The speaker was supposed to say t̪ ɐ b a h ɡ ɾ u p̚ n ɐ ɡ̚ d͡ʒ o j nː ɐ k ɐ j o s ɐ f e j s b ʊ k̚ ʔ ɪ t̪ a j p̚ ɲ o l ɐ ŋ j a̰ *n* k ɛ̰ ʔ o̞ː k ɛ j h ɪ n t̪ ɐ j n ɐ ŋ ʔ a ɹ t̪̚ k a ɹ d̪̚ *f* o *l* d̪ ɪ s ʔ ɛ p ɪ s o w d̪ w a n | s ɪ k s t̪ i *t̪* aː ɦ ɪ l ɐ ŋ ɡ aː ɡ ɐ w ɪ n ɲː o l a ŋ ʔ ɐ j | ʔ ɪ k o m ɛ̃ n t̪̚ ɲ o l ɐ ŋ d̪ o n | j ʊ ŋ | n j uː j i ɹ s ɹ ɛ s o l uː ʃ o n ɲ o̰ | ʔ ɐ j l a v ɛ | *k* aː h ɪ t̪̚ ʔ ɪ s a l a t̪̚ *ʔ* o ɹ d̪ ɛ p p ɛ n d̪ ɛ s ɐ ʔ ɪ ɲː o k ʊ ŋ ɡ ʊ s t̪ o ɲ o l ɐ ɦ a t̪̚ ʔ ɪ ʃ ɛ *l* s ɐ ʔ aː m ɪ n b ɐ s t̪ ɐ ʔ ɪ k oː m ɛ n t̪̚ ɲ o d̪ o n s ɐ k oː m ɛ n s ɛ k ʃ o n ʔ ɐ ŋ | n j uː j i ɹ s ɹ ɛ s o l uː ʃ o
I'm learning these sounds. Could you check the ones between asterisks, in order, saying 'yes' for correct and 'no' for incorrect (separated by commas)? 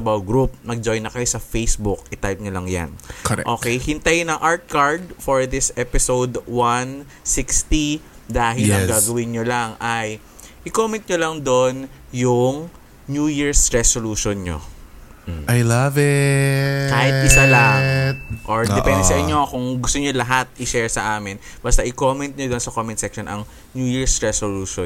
yes, yes, no, no, yes, yes, no